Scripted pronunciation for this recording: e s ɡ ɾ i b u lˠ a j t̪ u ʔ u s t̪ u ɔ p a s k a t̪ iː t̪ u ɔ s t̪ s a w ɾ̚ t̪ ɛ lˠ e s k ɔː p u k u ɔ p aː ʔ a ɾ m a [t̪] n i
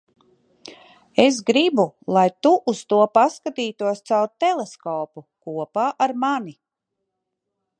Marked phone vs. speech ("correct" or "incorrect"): incorrect